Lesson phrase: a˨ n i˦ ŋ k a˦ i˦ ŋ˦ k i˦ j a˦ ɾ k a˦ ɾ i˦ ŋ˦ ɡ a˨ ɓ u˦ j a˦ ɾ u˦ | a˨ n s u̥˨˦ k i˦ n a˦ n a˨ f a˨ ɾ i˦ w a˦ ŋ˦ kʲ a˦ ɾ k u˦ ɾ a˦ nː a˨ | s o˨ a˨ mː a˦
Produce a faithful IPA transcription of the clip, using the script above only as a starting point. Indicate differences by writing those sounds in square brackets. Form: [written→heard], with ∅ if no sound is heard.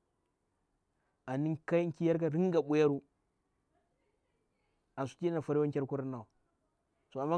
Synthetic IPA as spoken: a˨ n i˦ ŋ k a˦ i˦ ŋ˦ k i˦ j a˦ ɾ k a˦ ɾ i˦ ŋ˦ ɡ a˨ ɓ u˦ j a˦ ɾ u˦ | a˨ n s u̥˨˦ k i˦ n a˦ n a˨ f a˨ ɾ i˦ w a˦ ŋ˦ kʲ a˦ ɾ k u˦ ɾ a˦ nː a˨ | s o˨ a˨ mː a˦